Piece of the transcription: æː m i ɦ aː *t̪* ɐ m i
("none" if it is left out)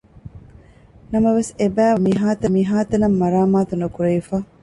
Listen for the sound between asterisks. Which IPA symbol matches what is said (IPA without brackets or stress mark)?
t̪